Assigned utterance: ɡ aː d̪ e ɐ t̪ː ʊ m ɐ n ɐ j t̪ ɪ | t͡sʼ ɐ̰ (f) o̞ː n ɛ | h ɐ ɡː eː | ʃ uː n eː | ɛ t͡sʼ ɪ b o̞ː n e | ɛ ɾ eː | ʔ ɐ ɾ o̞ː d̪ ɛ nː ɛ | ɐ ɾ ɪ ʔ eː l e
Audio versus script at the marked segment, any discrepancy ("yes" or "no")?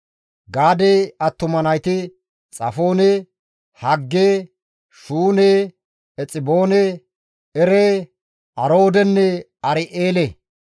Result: no